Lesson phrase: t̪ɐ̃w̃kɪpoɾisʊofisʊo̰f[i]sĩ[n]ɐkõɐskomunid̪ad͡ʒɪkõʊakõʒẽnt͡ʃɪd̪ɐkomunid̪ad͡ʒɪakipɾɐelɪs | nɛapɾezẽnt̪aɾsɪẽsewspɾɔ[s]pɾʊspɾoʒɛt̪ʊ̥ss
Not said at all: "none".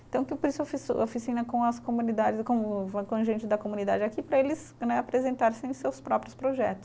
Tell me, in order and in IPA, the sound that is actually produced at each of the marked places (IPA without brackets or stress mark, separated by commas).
i, n, none